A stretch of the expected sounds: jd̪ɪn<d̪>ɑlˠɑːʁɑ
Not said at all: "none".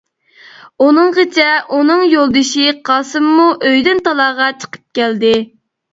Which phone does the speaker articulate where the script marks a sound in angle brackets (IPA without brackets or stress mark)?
t̪